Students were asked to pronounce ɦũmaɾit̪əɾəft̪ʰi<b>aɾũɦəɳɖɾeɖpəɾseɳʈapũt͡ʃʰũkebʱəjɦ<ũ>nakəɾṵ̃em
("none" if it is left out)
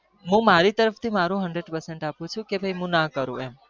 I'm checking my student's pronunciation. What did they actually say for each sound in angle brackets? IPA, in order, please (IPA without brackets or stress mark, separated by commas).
m, ũ